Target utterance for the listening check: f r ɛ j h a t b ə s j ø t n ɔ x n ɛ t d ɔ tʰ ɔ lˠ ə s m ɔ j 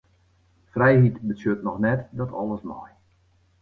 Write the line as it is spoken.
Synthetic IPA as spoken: f r ɛ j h i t b ə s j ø t n ɔ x n ɛ t d ɔ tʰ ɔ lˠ ə s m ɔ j

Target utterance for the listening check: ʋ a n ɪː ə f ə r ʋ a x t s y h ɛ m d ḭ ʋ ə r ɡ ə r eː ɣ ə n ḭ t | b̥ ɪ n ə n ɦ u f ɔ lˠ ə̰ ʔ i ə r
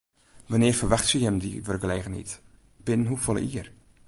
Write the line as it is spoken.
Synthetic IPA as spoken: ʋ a n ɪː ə f ə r ʋ a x t s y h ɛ m d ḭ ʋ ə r ɡ ə l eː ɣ ə n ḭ t | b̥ ɪ n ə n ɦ u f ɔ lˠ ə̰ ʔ i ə r

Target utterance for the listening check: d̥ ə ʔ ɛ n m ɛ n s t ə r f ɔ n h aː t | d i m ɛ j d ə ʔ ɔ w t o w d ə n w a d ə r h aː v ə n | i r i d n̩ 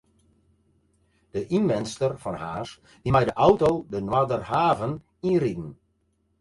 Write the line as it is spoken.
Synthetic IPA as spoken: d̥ ə ʔ i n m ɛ n s t ə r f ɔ n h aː s | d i m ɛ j d ə ʔ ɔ w t o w d ə n w a d ə r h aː v ə n | i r i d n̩

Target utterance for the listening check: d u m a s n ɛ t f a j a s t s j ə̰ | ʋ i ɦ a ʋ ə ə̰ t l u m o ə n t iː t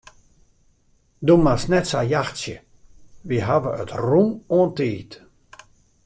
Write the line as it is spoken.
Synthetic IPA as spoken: d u m a s n ɛ t s a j a x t s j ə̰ | ʋ i ɦ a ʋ ə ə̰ t r u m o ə n t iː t

